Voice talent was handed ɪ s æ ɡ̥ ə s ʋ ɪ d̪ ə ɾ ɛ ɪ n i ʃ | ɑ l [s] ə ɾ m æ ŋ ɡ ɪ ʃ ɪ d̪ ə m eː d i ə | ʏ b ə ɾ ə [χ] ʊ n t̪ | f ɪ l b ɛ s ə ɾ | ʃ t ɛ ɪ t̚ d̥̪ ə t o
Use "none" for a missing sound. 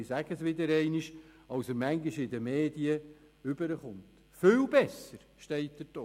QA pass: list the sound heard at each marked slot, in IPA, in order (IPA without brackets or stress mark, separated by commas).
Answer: s, χ